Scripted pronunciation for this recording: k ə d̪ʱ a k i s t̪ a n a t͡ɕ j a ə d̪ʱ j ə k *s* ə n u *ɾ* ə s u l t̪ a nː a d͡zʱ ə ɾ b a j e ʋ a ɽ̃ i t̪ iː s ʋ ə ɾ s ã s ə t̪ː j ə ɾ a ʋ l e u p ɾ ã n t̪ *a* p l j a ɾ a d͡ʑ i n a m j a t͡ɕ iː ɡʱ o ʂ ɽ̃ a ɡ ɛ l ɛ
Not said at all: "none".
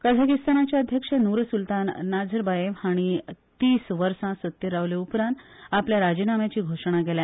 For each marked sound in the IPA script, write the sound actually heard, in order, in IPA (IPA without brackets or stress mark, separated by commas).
ʂ, ɾ, a